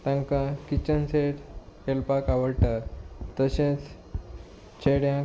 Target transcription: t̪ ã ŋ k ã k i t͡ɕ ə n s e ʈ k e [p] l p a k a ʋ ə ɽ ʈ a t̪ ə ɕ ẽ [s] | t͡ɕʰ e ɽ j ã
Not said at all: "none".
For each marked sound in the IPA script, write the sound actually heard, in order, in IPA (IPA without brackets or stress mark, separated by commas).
none, t͡s